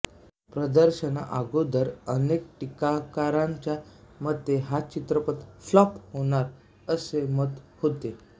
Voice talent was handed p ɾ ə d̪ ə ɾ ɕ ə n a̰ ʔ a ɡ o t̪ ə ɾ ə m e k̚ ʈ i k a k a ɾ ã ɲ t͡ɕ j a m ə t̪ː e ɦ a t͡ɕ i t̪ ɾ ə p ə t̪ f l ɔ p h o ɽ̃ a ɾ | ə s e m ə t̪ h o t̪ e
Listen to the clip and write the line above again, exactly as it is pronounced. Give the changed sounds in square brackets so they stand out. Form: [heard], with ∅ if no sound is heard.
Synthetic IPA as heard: p ɾ ə d̪ ə ɾ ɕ ə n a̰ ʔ a ɡ o [d̪] ə ɾ ə [n] e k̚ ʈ i k a k a ɾ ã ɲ t͡ɕ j a m ə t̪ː e ɦ a t͡ɕ i t̪ ɾ ə p ə t̪ f l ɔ p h o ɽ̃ a ɾ | ə s e m ə t̪ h o t̪ e

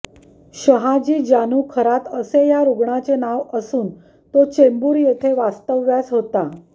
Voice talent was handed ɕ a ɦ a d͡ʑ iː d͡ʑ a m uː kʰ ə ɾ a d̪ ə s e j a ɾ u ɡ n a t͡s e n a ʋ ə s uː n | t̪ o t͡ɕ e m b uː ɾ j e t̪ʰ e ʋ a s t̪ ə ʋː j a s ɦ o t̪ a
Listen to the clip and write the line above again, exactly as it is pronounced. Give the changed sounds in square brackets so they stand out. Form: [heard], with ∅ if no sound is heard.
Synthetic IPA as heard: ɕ [ə] ɦ a d͡ʑ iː d͡ʑ a [n] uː kʰ ə ɾ a [t̪] ə s e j a ɾ u ɡ [ɳ] a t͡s e n a ʋ ə s uː n | t̪ o t͡ɕ e m b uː ɾ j e t̪ʰ e ʋ a s t̪ ə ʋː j a s ɦ o t̪ a

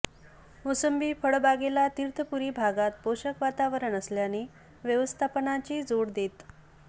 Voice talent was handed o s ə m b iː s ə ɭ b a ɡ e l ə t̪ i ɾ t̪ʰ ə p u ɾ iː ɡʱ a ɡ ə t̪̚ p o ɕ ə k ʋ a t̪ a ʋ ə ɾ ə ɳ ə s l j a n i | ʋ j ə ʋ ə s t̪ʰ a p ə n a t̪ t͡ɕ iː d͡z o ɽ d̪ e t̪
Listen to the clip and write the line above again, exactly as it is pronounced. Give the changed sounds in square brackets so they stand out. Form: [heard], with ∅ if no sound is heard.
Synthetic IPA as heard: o s ə m b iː [f] ə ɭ b a ɡ e l [a] t̪ i ɾ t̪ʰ ə p u ɾ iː [bʱ] a ɡ [a] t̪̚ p o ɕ ə k ʋ a t̪ a ʋ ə ɾ ə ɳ ə s l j a n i | ʋ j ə ʋ ə s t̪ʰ a p ə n a [∅] t͡ɕ iː d͡z o ɽ d̪ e t̪

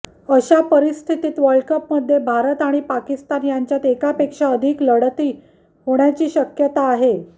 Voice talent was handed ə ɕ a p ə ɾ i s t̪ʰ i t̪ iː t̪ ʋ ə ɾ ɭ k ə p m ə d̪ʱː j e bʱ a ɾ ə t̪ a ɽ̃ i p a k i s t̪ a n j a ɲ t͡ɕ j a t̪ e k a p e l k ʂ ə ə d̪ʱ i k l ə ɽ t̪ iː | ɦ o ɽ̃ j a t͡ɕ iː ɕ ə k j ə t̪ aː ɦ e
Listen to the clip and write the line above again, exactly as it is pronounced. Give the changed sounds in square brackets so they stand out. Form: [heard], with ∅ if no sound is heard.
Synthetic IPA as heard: ə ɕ a p ə ɾ i s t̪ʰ i t̪ iː t̪ ʋ ə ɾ ɭ k ə p m ə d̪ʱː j e bʱ a ɾ ə t̪ a ɽ̃ i p a k i s t̪ a n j a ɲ t͡ɕ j a t̪ e k a p e [∅] k ʂ [a] ə d̪ʱ i k l ə ɽ t̪ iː | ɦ o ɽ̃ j a t͡ɕ iː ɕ ə k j ə t̪ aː ɦ e

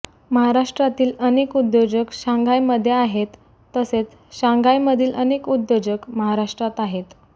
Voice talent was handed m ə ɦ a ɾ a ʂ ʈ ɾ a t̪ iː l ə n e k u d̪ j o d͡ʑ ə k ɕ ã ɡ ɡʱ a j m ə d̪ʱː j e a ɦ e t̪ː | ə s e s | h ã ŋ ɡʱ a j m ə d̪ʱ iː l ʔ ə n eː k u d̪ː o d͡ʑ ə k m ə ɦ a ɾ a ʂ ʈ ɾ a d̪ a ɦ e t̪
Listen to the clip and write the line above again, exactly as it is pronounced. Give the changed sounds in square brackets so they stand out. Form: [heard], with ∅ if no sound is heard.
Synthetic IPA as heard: m ə ɦ a ɾ a ʂ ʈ ɾ a t̪ iː l ə n e k u d̪ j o d͡ʑ ə k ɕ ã [ŋ] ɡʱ a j m ə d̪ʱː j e a ɦ e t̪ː | ə s e [t͡s] | [ɕ] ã ŋ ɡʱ a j m ə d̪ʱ iː l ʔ ə n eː k u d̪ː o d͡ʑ ə k m ə ɦ a ɾ a ʂ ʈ ɾ a [t̪] a ɦ e t̪

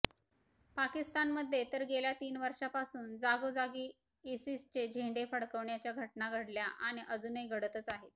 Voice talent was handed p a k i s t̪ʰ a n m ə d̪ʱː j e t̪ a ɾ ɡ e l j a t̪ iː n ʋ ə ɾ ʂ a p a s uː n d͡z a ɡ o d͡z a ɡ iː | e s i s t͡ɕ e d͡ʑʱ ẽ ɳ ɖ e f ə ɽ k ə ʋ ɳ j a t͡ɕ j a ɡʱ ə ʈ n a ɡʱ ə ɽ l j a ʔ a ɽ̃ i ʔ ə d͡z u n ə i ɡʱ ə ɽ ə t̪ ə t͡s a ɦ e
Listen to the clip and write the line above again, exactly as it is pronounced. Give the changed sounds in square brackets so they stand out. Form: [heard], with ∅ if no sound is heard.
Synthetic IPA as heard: p a k i s [t̪] a n m ə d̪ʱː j e t̪ [ə] ɾ ɡ e l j a t̪ iː n ʋ ə ɾ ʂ a p a s uː n d͡z a ɡ o d͡z a ɡ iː | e s i s t͡ɕ e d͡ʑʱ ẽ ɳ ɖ e f ə ɽ k ə ʋ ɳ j a t͡ɕ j a ɡʱ ə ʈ n a ɡʱ ə ɽ l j a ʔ a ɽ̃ i ʔ ə d͡z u n ə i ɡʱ ə ɽ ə t̪ ə t͡s a ɦ e

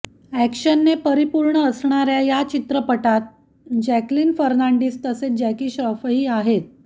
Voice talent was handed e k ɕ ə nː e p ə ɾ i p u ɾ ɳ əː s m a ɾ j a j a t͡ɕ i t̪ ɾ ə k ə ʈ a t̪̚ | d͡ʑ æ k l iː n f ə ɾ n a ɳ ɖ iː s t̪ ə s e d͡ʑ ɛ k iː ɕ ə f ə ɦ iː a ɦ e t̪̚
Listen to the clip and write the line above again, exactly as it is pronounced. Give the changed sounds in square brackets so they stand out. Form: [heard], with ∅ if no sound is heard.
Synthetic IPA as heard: [æ] k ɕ ə nː e p ə ɾ i p u ɾ ɳ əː s [ɳ] a ɾ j a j a t͡ɕ i t̪ ɾ ə [p] ə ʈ a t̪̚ | d͡ʑ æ k l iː n f ə ɾ n a ɳ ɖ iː s t̪ ə s e d͡ʑ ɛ k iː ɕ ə f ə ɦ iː a ɦ e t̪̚

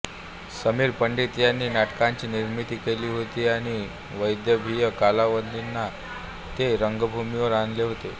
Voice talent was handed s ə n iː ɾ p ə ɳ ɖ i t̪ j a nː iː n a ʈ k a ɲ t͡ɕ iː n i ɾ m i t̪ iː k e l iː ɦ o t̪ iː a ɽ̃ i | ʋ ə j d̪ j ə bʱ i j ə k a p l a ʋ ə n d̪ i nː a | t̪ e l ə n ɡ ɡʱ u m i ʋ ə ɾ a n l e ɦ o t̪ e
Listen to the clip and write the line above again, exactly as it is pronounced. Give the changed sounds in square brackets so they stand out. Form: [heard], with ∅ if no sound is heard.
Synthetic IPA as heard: s ə [m] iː ɾ p ə ɳ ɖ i t̪ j a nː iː n a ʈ k a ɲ t͡ɕ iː n i ɾ m i t̪ iː k e l iː ɦ o t̪ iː a ɽ̃ i | ʋ ə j d̪ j ə bʱ i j ə k a [∅] l a ʋ ə n d̪ i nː a | t̪ e [ɾ] ə [ŋ] ɡ [bʱ] u m i ʋ ə ɾ a n l e ɦ o t̪ e

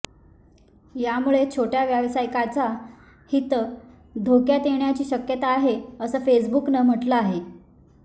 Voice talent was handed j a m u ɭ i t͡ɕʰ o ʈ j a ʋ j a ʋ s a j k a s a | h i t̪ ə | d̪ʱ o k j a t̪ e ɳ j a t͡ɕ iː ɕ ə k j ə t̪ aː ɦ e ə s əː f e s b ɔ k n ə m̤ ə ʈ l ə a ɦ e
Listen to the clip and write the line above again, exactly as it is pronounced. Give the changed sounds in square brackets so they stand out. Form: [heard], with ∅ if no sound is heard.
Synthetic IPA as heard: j a m u ɭ [e] t͡ɕʰ o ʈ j a ʋ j a ʋ s a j k a [t͡s] a | h i t̪ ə | d̪ʱ o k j a t̪ e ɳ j a t͡ɕ iː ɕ ə k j ə t̪ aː ɦ e ə s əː f e s b [u] k n ə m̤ ə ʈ l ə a ɦ e

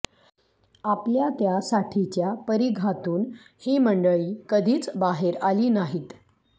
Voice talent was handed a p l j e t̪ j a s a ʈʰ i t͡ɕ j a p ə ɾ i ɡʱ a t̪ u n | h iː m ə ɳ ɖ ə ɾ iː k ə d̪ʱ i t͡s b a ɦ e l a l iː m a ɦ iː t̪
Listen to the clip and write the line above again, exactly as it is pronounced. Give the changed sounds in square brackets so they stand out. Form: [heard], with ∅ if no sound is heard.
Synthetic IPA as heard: a p l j [a] t̪ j a s a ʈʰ i t͡ɕ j a p ə ɾ i ɡʱ a t̪ [uː] n | h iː m ə ɳ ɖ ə [ɭ] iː k ə d̪ʱ [iː] t͡s b a ɦ e [ɾ] a l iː [n] a ɦ iː t̪

